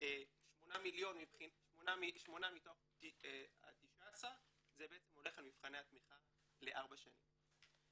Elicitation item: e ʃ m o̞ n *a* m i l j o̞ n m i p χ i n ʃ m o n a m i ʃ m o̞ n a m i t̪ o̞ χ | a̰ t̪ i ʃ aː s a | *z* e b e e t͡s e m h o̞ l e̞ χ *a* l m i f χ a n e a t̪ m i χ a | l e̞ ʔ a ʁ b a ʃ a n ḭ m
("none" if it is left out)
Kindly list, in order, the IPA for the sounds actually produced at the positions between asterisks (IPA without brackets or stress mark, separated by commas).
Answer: a, z, a